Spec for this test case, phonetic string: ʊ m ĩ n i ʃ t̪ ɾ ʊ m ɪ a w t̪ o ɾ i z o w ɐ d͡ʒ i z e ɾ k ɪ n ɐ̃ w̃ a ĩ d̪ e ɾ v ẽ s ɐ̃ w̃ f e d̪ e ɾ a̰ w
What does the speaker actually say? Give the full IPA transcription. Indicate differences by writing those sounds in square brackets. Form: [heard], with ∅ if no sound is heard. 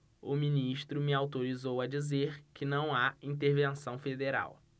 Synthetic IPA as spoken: ʊ m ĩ n i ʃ t̪ ɾ ʊ m ɪ a w t̪ o ɾ i z o w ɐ d͡ʒ i z e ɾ k ɪ n ɐ̃ w̃ a ĩ [t̪] e ɾ v ẽ s ɐ̃ w̃ f e d̪ e ɾ a̰ w